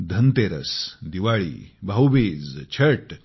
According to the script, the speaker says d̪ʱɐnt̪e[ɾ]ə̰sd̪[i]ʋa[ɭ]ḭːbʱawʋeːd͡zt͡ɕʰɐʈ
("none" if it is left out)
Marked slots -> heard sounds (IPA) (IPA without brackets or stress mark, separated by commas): ɾ, i, ɭ